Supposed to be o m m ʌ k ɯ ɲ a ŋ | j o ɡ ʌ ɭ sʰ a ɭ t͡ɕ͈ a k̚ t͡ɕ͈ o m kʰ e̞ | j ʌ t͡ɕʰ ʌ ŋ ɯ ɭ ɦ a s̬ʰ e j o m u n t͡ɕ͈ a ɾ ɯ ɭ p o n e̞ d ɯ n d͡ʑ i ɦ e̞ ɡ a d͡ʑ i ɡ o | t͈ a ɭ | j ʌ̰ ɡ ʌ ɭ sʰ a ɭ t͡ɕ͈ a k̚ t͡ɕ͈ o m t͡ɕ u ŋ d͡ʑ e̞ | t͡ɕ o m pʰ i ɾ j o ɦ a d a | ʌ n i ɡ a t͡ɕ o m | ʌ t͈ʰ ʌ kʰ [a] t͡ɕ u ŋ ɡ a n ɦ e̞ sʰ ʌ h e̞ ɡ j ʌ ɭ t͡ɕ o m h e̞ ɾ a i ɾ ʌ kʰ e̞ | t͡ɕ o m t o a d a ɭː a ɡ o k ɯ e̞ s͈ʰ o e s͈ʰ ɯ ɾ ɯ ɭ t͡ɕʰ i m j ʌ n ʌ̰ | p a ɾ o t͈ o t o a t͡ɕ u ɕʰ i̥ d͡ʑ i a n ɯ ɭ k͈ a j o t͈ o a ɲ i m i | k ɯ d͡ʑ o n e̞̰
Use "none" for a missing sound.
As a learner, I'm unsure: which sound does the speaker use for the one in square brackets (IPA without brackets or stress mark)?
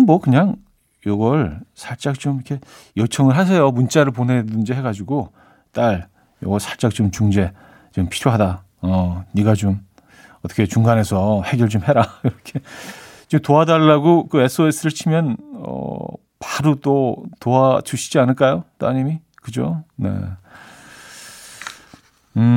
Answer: e